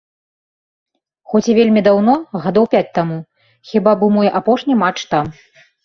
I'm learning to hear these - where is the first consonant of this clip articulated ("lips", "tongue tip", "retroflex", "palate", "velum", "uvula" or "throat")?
velum